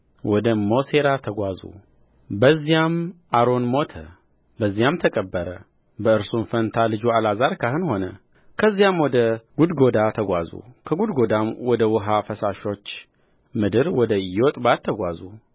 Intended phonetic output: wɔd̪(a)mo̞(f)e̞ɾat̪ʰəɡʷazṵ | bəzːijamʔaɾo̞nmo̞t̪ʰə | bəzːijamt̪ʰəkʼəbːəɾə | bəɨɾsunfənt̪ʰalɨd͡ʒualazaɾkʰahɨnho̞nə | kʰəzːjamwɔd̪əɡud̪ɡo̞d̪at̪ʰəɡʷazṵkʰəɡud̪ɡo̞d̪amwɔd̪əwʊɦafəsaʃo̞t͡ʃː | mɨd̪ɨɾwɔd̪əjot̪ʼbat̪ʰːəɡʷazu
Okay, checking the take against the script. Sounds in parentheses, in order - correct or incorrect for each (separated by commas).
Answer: incorrect, incorrect